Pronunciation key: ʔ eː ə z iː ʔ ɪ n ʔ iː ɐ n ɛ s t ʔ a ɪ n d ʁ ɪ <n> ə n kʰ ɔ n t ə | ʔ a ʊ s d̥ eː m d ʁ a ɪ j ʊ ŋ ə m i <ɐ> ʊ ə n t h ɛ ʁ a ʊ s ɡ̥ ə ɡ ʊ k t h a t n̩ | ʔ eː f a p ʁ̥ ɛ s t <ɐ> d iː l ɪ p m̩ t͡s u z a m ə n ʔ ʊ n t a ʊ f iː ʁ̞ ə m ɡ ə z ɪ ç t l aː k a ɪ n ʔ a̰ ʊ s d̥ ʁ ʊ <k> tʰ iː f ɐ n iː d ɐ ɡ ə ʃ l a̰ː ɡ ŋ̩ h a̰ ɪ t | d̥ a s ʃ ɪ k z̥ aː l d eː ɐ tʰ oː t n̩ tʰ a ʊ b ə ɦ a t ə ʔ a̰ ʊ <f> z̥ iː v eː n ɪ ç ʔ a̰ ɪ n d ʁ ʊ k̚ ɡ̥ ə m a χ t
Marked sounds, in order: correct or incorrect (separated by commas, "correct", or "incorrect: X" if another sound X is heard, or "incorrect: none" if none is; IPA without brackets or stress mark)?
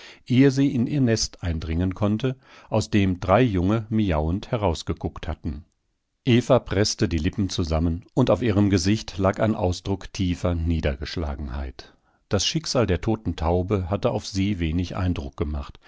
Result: incorrect: ŋ, incorrect: a, incorrect: ə, correct, correct